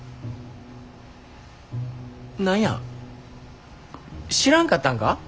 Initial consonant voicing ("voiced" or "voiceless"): voiced